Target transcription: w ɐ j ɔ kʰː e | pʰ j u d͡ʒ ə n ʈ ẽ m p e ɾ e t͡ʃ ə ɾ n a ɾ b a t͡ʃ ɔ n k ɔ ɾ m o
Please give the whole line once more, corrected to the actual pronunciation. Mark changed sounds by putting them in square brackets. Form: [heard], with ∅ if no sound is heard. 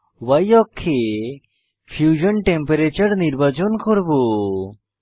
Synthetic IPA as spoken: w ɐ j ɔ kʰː e | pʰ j u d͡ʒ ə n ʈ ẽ m p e ɾ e t͡ʃ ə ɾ n [i] ɾ b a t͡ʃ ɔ n k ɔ ɾ [b] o